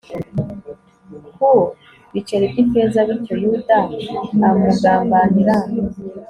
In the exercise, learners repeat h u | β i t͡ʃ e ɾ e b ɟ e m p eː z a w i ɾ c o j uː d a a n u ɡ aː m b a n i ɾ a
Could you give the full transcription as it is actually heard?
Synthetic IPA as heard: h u | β i t͡ʃ e ɾ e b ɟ i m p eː z a β i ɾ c o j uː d a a m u ɡ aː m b a n i ɾ a